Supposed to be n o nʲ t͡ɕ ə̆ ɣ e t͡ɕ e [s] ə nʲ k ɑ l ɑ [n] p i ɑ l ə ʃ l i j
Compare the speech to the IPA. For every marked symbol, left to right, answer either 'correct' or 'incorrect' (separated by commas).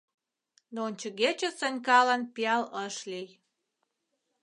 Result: correct, correct